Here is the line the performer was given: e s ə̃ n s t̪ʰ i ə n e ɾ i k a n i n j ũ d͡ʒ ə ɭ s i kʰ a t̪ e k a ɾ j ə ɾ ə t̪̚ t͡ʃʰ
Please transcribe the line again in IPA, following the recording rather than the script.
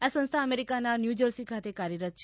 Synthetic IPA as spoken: a s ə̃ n s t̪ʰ a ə m e ɾ i k a n a n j u d͡ʒ ə ɾ s i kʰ a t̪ e k a ɾ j ə ɾ ə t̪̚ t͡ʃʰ